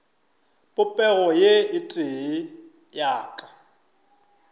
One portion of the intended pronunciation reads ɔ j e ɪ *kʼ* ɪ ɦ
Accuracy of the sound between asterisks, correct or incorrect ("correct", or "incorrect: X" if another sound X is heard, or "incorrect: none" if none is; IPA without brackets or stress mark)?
incorrect: tʼ